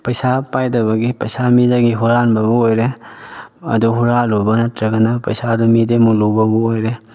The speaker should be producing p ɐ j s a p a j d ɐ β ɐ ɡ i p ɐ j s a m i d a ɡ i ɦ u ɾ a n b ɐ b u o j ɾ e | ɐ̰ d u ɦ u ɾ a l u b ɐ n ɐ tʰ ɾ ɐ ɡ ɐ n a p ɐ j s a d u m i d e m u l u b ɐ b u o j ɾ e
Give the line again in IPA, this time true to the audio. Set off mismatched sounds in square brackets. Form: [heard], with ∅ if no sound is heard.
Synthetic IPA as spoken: p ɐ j s a p a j d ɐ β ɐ ɡ i p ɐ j s a m i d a ɡ i ɦ u ɾ a n b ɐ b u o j ɾ e | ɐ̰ d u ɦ u ɾ a l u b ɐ n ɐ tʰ ɾ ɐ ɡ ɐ n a p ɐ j s a d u m i d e m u l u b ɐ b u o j ɾ e

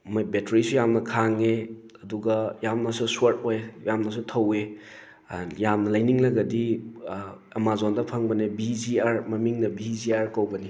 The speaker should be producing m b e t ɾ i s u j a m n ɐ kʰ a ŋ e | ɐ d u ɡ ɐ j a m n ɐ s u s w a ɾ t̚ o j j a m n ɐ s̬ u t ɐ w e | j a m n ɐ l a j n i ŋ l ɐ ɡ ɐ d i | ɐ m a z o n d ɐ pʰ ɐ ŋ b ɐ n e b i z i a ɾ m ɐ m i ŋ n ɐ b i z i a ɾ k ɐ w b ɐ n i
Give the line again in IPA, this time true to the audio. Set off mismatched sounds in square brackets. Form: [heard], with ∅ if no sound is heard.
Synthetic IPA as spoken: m b e t ɾ i s u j a m n ɐ kʰ a ŋ e | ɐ d u ɡ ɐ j a m n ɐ s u s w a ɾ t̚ o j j a m n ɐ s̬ u [tʰ] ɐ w e | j a m n ɐ l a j n i ŋ l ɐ ɡ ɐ d i | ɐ m a z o n d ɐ pʰ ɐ ŋ b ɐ n e b i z i a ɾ m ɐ m i ŋ n ɐ b i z i a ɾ k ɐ w b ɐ n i

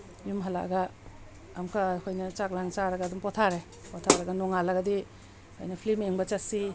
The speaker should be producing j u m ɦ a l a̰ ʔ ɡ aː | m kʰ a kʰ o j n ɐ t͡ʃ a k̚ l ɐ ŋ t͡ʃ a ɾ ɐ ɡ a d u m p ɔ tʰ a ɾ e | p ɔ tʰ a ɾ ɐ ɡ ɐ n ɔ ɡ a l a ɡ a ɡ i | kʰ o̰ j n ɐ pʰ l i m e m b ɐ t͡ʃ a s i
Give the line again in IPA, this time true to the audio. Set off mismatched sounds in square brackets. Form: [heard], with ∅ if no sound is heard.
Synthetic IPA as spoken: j u m ɦ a l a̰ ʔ ɡ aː | m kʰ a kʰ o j n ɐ t͡ʃ a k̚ l [a] ŋ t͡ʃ a ɾ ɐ ɡ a d u m p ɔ tʰ a ɾ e | p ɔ tʰ a ɾ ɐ ɡ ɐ n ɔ [ŋ] a l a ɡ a [d] i | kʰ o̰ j n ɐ pʰ l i m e [ŋ] b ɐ t͡ʃ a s i

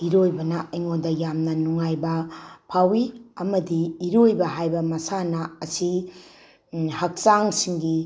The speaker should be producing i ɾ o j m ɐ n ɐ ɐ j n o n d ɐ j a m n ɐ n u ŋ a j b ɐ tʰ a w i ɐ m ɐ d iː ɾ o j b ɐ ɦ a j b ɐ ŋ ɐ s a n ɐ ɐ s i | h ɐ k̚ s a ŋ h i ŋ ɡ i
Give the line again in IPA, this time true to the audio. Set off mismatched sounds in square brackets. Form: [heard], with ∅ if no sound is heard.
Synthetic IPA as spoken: i ɾ o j [b] ɐ n ɐ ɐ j [ŋ] o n d ɐ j a m n ɐ n u ŋ a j b ɐ [pʰ] a w i ɐ m ɐ d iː ɾ o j b ɐ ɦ a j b ɐ [m] ɐ s a n ɐ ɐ s i | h ɐ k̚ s a ŋ [s] i ŋ ɡ i

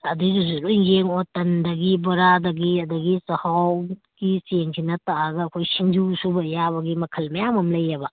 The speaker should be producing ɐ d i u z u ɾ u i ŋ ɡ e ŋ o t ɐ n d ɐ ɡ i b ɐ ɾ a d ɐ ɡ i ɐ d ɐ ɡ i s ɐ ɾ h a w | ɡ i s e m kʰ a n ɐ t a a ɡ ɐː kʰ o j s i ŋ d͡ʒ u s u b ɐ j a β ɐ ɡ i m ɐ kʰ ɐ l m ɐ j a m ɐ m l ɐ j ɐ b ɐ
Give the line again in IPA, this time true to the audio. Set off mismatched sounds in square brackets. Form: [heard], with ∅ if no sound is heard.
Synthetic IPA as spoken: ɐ d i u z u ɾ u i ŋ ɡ e ŋ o t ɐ n d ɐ ɡ i b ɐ ɾ a d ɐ ɡ i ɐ d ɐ ɡ i s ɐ [∅] h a w | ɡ i s e [ŋ] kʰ [i] n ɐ t a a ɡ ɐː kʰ o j s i ŋ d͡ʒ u s u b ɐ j a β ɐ ɡ i m ɐ kʰ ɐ l m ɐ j a m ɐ m l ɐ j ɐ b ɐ

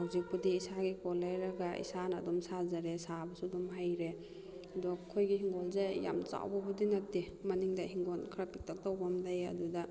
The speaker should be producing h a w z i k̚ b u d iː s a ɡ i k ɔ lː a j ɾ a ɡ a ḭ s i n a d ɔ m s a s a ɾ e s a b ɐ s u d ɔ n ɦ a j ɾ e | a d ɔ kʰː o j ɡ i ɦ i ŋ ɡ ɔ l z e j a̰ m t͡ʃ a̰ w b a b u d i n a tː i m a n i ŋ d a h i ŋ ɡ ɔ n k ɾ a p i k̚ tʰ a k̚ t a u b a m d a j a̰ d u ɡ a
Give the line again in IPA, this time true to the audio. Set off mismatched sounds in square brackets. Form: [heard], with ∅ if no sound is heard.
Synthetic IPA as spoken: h a w z i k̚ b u d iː s a ɡ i k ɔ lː a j ɾ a ɡ a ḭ s [a] n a d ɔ m s a [z] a ɾ e s a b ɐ s u d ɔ [m] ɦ a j ɾ e | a d ɔ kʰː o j ɡ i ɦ i ŋ ɡ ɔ l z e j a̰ m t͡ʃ a̰ w b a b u d i n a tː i m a n i ŋ d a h i ŋ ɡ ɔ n [kʰ] ɾ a p i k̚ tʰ a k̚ t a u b a m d a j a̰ d u [d] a

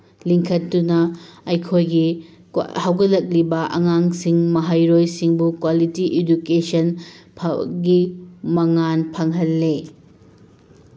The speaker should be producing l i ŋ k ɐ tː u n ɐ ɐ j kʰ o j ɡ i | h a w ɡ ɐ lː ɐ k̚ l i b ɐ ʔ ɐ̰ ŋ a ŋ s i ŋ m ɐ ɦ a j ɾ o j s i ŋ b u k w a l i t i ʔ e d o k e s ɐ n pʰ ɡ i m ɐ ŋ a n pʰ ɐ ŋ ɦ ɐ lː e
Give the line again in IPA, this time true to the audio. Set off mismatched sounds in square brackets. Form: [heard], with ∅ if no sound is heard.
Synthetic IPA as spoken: l i ŋ [kʰ] ɐ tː u n ɐ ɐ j kʰ o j ɡ i | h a w ɡ ɐ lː ɐ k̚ l i b ɐ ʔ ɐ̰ ŋ a ŋ s i ŋ m ɐ ɦ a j ɾ o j s i ŋ b u k w a l i t i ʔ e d [u] k e s ɐ n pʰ ɡ i m ɐ ŋ a n pʰ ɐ ŋ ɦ ɐ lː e

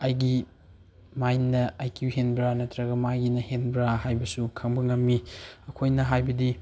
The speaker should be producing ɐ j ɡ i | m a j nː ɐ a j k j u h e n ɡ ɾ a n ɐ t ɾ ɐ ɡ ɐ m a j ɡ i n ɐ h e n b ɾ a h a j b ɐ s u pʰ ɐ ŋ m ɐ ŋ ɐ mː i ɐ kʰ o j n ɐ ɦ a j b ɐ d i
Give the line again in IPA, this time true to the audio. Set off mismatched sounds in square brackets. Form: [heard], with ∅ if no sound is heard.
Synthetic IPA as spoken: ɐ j ɡ i | m a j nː ɐ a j k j u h e n [b] ɾ a n ɐ t ɾ ɐ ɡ ɐ m a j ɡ i n ɐ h e n b ɾ a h a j b ɐ s u [kʰ] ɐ ŋ [b] ɐ ŋ ɐ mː i ɐ kʰ o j n ɐ ɦ a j b ɐ d i

